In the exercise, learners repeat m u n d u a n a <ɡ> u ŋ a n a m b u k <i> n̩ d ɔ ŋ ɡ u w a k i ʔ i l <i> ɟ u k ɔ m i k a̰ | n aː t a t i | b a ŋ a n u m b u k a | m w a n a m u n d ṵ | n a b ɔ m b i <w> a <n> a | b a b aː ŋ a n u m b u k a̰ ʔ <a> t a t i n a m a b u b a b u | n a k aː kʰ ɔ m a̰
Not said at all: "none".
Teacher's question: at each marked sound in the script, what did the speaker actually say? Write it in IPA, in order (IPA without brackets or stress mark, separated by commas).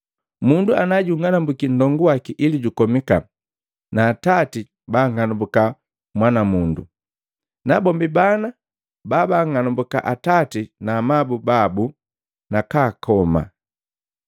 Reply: ɟ, i, i, b, n, a